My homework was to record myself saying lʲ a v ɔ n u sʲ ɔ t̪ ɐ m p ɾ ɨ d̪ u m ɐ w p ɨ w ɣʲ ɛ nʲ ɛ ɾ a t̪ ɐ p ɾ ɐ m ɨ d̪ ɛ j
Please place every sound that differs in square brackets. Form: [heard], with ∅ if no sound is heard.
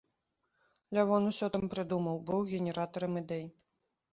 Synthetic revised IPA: lʲ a v ɔ n u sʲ ɔ t̪ ɐ m p ɾ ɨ d̪ u m ɐ w [b] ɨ w ɣʲ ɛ nʲ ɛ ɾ a t̪ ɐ [∅] ɾ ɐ m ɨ d̪ ɛ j